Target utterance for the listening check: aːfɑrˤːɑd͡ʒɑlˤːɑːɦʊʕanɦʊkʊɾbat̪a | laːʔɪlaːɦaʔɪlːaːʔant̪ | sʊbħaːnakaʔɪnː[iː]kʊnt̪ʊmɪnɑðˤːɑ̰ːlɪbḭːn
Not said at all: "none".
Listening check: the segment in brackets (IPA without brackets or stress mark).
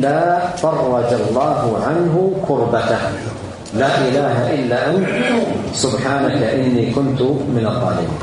iː